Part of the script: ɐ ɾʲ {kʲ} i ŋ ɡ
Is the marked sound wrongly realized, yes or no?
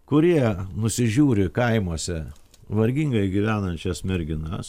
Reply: yes